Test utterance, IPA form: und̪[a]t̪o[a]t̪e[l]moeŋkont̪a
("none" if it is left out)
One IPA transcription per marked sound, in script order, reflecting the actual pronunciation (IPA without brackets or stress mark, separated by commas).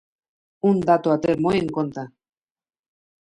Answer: a, a, ɾ